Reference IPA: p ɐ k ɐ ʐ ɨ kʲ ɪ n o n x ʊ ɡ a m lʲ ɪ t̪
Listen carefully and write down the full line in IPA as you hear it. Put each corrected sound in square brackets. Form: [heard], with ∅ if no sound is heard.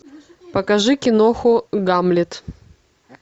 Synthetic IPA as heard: p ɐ k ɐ ʐ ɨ kʲ ɪ n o [∅] x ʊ ɡ a m lʲ ɪ t̪